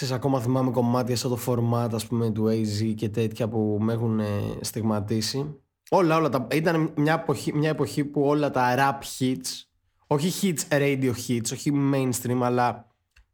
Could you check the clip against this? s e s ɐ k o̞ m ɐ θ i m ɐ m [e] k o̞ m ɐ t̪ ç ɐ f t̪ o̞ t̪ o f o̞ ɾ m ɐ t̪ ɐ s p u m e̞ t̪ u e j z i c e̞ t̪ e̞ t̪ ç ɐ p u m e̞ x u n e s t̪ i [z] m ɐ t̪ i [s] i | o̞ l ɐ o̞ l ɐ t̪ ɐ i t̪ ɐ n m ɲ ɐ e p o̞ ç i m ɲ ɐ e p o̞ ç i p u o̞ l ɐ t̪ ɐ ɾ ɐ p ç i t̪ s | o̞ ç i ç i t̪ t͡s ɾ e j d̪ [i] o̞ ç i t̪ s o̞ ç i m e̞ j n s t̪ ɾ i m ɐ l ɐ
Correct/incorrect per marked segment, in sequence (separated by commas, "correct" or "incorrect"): correct, incorrect, correct, correct